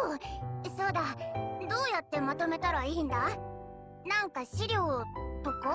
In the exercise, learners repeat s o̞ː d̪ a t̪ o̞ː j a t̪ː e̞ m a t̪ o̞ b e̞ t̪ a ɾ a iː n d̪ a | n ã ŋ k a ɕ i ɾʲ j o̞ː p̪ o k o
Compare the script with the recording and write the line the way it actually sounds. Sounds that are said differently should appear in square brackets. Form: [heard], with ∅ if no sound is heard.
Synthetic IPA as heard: s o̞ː d̪ a [d̪] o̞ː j a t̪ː e̞ m a t̪ o̞ [m] e̞ t̪ a ɾ a iː n d̪ a | n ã ŋ k a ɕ i ɾʲ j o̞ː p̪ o k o